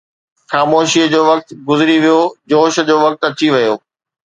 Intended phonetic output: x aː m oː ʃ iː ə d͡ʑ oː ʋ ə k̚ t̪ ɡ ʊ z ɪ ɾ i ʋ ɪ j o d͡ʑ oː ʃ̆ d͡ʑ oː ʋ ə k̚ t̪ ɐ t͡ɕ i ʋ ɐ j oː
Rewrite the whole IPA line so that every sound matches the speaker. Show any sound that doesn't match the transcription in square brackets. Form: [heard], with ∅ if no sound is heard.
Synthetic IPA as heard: x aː m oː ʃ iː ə d͡ʑ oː ʋ [ɐ] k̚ t̪ ɡ ʊ z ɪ ɾ i ʋ [i] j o d͡ʑ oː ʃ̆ d͡ʑ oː ʋ [ɐ] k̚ t̪ ɐ t͡ɕ i ʋ ɐ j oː